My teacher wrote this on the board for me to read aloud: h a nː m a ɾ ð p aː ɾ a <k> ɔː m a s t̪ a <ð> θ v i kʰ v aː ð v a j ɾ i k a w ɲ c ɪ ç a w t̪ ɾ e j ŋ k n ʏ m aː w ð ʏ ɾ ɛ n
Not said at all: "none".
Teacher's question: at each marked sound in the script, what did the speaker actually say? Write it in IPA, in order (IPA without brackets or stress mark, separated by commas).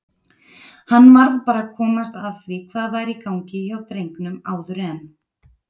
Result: kʰ, ð